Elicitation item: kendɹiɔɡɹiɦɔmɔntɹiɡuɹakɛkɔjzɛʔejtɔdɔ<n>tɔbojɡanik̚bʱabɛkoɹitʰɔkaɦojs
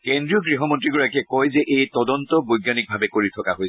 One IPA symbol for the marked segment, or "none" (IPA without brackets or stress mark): n